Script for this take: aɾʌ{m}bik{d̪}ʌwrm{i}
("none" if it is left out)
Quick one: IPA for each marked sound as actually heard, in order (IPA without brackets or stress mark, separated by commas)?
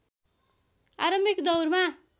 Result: m, d̪, a